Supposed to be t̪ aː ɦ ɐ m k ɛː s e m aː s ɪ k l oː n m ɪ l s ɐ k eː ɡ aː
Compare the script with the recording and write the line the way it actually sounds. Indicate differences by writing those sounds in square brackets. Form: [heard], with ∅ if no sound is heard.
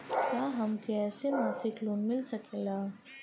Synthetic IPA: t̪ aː ɦ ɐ m k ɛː s e m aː s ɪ k l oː n m ɪ l s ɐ k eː ɡ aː